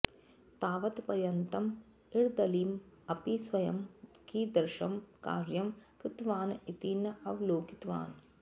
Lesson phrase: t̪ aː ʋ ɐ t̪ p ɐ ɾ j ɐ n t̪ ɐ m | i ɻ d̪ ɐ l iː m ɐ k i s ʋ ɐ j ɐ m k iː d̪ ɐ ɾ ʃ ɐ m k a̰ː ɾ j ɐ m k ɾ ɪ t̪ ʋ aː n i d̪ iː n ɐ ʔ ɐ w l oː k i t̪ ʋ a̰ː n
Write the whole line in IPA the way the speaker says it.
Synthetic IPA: t̪ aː ʋ ɐ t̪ p ɐ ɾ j ɐ n t̪ ɐ m | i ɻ d̪ ɐ l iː m ɐ p i s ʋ ɐ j ɐ m k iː d̪ ɐ ɾ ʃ ɐ m k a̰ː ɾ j ɐ m k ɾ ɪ t̪ ʋ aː n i t̪ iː n ɐ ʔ ɐ ʋ l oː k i t̪ ʋ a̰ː n